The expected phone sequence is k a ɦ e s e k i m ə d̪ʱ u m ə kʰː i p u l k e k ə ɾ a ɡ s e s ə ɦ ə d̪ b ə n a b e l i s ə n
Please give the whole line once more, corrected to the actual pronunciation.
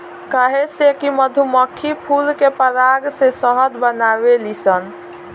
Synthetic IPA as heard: k a ɦ e s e k i m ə d̪ʱ u m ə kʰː i pʰ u l k e p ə ɾ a ɡ s e s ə ɦ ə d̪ b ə n a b e l i s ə n